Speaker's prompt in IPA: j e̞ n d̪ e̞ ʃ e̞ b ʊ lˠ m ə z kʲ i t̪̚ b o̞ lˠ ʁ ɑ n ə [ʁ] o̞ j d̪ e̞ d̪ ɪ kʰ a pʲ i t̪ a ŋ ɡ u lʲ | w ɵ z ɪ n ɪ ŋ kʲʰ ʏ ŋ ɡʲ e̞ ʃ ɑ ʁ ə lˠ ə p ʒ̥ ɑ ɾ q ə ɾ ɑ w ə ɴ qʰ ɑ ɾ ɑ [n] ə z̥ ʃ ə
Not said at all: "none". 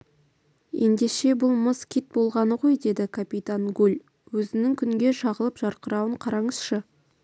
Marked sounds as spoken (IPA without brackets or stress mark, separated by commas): ʁ, ɴ